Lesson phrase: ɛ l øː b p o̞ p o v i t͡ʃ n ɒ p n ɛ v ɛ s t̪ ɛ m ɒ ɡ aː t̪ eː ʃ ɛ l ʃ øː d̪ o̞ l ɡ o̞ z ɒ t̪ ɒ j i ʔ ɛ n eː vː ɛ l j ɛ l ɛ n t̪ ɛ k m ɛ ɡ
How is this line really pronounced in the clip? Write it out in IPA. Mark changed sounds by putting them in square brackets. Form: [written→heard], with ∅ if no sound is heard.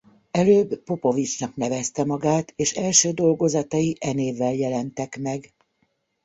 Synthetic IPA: ɛ l øː b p o̞ p o v i t͡ʃ n ɒ [p→k] n ɛ v ɛ s t̪ ɛ m ɒ ɡ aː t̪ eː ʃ ɛ l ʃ øː d̪ o̞ l ɡ o̞ z ɒ t̪ ɒ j i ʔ ɛ n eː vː ɛ l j ɛ l ɛ n t̪ ɛ k m ɛ ɡ